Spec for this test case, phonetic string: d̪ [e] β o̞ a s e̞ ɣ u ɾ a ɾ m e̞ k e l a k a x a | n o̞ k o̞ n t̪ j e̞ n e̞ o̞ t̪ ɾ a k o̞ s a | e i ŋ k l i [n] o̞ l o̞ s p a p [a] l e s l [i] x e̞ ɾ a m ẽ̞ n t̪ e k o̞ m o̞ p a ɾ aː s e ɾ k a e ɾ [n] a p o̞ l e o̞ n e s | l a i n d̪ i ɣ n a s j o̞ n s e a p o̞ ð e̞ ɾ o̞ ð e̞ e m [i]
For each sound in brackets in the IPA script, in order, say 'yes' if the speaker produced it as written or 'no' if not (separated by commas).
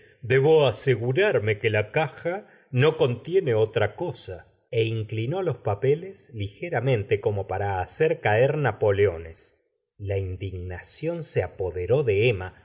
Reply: yes, yes, no, yes, yes, no